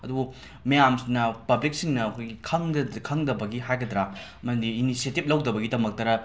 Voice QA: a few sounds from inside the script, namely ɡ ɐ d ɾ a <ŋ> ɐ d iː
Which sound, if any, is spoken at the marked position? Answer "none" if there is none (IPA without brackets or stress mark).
m